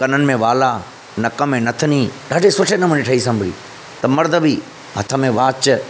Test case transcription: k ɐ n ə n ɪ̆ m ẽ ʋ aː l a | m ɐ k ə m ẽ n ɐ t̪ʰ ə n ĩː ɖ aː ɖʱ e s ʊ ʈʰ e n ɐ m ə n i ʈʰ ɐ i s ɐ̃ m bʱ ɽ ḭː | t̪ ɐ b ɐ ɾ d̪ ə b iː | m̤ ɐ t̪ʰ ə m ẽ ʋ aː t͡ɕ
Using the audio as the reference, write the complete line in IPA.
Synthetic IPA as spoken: k ɐ n ə n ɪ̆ m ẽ ʋ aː l a | n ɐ k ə m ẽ n ɐ t̪ʰ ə n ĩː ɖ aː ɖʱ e s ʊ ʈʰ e n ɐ m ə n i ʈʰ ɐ i s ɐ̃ m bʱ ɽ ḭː | t̪ ɐ m ɐ ɾ d̪ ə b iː | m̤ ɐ t̪ʰ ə m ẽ ʋ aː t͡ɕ

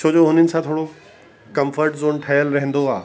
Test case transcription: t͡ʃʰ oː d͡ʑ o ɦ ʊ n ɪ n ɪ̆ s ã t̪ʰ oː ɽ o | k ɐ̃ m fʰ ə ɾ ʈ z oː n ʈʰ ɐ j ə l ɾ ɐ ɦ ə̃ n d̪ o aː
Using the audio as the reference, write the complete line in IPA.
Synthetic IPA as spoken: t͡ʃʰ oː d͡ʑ o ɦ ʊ n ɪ n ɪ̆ s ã t̪ʰ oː ɽ o | k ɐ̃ m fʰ ə ɾ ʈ z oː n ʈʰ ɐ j ə l ɾ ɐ ɦ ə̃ n d̪ o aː

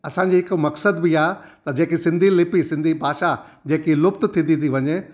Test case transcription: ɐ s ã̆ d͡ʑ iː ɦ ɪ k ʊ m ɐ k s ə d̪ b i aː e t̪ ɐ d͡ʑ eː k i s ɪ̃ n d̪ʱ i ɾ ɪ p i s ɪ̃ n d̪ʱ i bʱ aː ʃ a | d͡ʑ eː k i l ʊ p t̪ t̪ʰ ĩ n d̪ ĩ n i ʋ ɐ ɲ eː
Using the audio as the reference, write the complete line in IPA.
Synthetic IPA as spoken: ɐ s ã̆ d͡ʑ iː ɦ ɪ k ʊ m ɐ k s ə d̪ b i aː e t̪ ɐ d͡ʑ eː k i s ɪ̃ n d̪ʱ i l ɪ p i s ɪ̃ n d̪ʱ i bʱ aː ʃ a | d͡ʑ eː k i l ʊ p t̪ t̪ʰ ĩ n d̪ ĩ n i ʋ ɐ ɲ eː

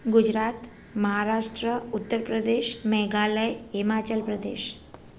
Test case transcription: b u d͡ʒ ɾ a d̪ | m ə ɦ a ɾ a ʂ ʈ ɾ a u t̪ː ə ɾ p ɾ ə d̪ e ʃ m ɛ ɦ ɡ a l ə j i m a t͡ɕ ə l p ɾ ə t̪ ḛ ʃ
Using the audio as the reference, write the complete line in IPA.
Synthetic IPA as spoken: ɡ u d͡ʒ ɾ a t̪ | m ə ɦ a ɾ a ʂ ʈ ɾ ə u t̪ː ə ɾ p ɾ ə d̪ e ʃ m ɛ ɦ ɡ a l ə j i m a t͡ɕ ə l p ɾ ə d̪ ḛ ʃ

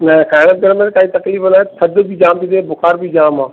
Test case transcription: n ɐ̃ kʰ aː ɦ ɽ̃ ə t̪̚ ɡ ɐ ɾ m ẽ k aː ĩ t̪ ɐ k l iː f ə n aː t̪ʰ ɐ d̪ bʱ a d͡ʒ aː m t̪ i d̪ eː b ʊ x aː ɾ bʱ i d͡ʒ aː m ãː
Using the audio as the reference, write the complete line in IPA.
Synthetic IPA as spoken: n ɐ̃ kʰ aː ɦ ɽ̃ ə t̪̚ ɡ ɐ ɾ m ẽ k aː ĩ t̪ ɐ k l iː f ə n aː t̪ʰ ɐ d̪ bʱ i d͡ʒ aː m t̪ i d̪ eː b ʊ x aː ɾ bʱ i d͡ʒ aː m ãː

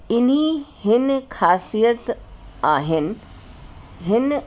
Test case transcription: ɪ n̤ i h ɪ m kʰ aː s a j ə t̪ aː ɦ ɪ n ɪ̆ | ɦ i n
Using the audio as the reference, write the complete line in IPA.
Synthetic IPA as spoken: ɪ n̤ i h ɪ n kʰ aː s i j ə t̪ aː ɦ ɪ n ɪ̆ | ɦ ɪ n

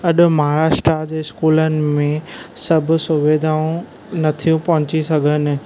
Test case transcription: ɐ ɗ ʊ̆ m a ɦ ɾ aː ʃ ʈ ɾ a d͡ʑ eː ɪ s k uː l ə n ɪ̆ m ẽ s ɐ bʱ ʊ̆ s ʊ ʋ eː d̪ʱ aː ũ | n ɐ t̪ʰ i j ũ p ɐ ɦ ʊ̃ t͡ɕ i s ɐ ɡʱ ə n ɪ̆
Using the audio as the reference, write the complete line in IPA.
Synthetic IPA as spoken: ɐ ɗ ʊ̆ m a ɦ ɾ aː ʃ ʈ ɾ a d͡ʑ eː ɪ s k uː l ə n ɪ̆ m ẽ s ɐ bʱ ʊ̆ s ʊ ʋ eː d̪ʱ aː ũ | n ɐ t̪ʰ i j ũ p ɐ ɦ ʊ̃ t͡ɕ i s ɐ ɡʱ ə n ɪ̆

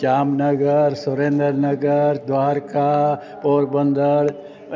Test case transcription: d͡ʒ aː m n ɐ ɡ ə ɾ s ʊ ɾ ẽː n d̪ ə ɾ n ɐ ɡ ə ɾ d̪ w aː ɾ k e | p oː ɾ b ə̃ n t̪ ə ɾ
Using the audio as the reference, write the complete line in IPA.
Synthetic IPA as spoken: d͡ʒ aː m n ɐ ɡ ə ɾ s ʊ ɾ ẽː n d̪ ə ɾ n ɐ ɡ ə ɾ d̪ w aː ɾ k a | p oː ɾ b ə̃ n d̪ ə ɾ

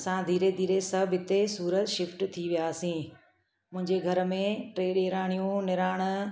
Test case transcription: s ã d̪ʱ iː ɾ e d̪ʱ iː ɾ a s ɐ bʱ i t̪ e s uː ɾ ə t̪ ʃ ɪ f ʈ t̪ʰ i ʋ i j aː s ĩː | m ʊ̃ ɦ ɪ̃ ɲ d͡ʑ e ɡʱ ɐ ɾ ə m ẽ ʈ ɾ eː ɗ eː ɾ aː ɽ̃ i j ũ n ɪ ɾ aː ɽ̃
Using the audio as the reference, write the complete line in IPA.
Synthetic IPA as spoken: s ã d̪ʱ iː ɾ e d̪ʱ iː ɾ e s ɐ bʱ ɪ t̪ e s uː ɾ ə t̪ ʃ ɪ f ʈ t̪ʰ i ʋ i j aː s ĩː | m ʊ̃ ɦ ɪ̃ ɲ d͡ʑ e ɡʱ ɐ ɾ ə m ẽ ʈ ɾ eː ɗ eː ɾ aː ɽ̃ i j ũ n ɪ ɾ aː ɽ̃

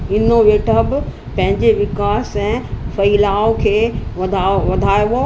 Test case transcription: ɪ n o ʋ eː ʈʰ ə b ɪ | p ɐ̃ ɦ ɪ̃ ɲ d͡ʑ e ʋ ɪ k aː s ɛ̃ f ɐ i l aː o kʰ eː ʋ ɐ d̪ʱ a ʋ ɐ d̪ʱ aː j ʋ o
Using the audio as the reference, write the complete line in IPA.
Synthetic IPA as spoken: ɪ n o ʋ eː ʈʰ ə b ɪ | p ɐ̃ ɦ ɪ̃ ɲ d͡ʑ e ʋ ɪ k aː s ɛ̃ f ɐ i l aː o kʰ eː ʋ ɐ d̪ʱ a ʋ ɐ d̪ʱ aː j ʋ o

